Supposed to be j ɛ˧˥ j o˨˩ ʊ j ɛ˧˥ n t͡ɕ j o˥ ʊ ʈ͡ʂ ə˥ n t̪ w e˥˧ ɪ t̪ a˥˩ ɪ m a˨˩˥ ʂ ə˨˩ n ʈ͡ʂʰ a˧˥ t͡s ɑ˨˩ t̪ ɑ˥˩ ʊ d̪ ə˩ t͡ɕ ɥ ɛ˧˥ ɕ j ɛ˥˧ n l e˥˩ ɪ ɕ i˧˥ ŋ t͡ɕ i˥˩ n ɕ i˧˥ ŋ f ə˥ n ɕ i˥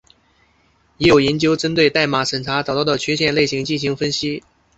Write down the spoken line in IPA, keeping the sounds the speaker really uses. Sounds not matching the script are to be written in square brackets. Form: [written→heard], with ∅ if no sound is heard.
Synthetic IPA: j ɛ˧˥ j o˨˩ ʊ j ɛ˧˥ n t͡ɕ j o˥ ʊ ʈ͡ʂ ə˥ n t̪ w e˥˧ ɪ t̪ a˥˩ ɪ m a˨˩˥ ʂ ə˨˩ n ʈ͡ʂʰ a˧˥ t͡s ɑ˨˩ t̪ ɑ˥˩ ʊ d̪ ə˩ [t͡ɕ→t͡ɕʰ] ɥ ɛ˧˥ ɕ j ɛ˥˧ n l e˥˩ ɪ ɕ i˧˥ ŋ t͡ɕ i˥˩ n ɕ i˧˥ ŋ f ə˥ n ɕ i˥

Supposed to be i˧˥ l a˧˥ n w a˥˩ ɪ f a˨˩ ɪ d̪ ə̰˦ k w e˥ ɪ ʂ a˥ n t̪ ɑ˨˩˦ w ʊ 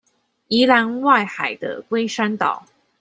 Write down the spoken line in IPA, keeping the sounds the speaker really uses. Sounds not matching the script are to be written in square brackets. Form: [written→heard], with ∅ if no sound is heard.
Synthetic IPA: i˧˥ l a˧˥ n w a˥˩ ɪ [f→x] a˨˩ ɪ d̪ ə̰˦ k w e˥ ɪ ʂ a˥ n t̪ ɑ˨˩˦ [w→∅] ʊ

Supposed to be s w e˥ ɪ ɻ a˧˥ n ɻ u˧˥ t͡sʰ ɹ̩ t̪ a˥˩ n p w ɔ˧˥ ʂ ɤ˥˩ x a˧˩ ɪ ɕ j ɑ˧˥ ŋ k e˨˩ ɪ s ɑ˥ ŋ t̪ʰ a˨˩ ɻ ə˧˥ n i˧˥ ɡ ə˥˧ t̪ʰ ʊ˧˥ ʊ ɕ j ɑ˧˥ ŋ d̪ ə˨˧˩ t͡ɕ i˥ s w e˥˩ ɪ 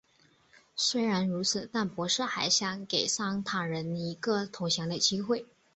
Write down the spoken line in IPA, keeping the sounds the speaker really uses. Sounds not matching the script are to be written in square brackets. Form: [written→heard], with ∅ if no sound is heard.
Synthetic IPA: s w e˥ ɪ ɻ a˧˥ n ɻ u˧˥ t͡sʰ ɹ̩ t̪ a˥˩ n p w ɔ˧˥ ʂ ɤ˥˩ x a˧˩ ɪ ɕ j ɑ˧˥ ŋ k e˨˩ ɪ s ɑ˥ ŋ t̪ʰ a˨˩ ɻ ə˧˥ n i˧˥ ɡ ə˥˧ t̪ʰ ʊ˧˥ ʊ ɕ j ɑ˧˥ ŋ d̪ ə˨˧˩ t͡ɕ i˥ [s→x] w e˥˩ ɪ

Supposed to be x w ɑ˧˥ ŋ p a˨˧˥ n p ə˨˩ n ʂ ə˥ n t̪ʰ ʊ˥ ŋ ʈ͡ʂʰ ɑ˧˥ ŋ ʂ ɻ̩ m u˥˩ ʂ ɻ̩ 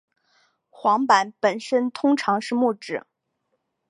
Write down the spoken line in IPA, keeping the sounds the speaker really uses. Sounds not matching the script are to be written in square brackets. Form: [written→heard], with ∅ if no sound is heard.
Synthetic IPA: x w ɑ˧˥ ŋ p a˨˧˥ n p ə˨˩ n ʂ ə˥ n t̪ʰ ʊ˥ ŋ ʈ͡ʂʰ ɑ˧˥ ŋ ʂ ɻ̩ m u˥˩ [ʂ→ʈ͡ʂ] ɻ̩

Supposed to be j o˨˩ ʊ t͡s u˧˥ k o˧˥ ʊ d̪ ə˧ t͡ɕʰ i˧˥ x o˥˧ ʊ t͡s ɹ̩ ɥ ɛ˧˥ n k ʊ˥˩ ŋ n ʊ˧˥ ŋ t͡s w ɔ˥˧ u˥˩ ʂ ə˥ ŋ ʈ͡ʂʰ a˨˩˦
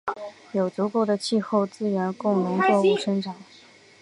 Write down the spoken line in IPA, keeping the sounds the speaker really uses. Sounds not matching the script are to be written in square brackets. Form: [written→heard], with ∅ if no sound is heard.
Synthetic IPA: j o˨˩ ʊ t͡s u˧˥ k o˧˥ ʊ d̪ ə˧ t͡ɕʰ [i˧˥→i˥˧] x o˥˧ ʊ t͡s ɹ̩ ɥ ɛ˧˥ n k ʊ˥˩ ŋ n ʊ˧˥ ŋ t͡s w ɔ˥˧ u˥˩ ʂ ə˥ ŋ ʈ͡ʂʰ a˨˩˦

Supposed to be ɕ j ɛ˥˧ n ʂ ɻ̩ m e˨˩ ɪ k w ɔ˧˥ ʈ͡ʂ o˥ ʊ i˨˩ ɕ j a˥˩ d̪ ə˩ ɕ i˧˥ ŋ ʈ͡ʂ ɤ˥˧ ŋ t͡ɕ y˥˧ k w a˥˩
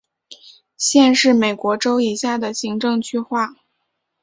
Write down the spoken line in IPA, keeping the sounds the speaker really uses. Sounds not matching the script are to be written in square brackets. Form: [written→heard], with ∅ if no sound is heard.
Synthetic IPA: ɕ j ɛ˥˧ n ʂ ɻ̩ m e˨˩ ɪ k w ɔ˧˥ ʈ͡ʂ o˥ ʊ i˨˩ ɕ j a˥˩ d̪ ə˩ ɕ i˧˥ ŋ ʈ͡ʂ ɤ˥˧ ŋ [t͡ɕ→t͡ɕʰ] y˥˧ [k→x] w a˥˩

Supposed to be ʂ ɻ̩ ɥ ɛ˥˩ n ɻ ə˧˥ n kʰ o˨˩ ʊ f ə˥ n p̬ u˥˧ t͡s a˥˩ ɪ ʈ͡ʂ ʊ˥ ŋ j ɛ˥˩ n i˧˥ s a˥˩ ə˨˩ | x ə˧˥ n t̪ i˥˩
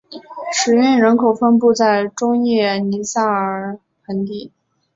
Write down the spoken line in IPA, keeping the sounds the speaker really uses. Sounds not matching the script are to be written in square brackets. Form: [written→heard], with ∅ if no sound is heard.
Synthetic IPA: ʂ ɻ̩ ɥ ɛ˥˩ n ɻ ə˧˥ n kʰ o˨˩ ʊ f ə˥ n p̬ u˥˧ t͡s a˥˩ ɪ ʈ͡ʂ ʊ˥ ŋ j ɛ˥˩ n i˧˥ s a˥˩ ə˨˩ | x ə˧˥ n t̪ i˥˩

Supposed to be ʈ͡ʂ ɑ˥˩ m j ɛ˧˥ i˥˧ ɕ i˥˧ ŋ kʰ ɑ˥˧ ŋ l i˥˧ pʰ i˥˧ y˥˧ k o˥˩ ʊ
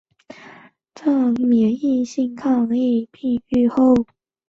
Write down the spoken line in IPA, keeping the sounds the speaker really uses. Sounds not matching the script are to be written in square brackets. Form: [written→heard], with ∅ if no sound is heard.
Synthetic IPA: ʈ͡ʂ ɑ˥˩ m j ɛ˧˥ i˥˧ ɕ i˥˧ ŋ kʰ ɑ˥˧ ŋ l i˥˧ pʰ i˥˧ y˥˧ [k→x] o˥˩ ʊ

